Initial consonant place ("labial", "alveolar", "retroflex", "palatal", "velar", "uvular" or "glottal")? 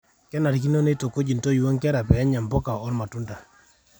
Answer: velar